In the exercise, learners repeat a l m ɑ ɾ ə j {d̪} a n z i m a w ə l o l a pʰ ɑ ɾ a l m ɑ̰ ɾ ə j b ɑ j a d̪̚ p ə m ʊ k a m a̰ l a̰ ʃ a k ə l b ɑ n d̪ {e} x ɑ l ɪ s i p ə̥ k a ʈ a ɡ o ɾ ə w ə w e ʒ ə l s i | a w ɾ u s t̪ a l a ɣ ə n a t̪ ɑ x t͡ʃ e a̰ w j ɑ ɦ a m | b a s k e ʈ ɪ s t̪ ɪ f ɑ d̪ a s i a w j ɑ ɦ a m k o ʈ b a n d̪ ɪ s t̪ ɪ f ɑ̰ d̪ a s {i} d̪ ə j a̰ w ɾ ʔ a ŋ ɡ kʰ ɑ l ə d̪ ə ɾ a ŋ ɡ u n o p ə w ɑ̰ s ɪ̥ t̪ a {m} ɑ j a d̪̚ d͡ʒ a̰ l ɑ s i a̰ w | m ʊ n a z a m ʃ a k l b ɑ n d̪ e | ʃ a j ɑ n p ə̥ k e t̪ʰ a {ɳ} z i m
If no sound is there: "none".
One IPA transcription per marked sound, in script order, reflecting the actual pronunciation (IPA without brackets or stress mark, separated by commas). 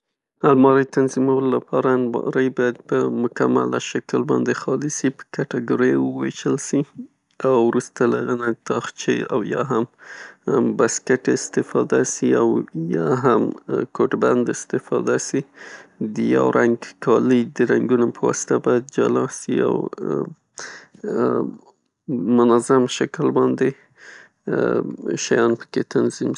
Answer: t̪, e, i, b, n